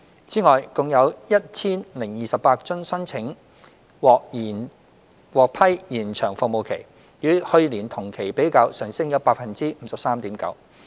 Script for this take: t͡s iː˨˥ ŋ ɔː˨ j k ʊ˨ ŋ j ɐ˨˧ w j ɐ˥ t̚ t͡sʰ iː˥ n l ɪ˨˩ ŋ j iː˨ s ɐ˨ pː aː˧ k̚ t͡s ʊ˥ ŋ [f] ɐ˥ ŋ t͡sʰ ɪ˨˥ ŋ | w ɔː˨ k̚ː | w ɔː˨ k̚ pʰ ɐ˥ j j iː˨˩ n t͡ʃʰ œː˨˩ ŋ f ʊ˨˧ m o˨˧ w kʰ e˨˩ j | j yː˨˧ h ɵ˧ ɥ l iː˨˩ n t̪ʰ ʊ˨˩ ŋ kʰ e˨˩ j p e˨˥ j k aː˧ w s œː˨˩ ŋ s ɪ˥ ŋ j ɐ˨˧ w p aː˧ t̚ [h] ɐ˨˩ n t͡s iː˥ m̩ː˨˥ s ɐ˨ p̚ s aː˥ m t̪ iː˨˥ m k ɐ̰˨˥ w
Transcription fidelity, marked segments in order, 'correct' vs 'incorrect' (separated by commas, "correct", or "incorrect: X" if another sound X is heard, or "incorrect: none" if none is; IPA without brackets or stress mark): incorrect: s, incorrect: f